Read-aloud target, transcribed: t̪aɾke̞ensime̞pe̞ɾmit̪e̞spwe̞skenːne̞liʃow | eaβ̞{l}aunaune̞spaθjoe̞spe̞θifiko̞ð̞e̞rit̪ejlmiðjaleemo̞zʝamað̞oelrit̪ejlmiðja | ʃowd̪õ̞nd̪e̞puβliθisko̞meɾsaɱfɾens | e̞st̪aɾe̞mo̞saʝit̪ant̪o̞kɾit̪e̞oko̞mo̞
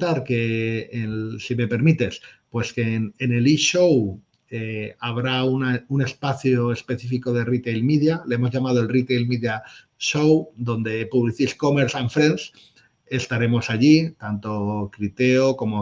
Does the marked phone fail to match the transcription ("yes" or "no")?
yes